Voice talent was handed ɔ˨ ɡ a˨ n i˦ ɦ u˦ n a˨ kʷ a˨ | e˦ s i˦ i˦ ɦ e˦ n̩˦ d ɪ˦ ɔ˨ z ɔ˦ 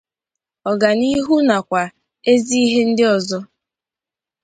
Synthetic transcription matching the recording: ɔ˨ ɡ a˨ n i˦ ɦ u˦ n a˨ kʷ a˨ | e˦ z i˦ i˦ ɦ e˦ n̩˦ d ɪ˦ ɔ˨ z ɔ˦